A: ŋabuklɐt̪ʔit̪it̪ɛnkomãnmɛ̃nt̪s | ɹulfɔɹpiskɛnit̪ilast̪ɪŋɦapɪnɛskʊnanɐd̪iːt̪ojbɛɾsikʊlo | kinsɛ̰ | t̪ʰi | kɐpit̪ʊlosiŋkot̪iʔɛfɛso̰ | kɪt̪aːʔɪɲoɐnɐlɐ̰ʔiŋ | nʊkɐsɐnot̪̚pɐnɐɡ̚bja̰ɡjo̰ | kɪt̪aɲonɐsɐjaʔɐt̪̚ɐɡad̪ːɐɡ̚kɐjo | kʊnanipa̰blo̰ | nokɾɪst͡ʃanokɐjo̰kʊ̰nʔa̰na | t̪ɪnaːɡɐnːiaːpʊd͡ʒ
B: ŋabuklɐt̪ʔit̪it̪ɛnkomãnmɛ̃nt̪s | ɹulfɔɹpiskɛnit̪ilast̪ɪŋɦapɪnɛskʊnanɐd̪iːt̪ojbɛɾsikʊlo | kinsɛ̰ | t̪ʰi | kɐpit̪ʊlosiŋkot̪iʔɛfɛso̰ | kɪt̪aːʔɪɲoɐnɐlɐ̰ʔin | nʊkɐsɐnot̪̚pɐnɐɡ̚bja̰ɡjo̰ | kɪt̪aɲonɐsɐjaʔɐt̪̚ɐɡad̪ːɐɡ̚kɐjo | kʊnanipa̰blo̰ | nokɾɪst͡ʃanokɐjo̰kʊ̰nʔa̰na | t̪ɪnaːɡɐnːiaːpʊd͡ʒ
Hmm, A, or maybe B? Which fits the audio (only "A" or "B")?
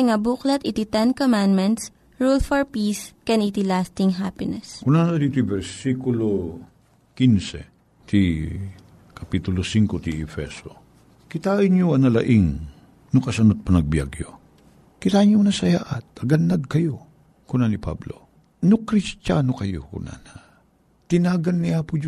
A